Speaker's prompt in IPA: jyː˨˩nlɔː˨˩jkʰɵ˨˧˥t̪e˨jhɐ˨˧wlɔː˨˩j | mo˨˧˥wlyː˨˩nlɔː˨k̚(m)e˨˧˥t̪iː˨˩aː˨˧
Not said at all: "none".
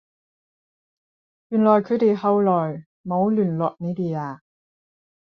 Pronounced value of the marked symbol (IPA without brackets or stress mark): n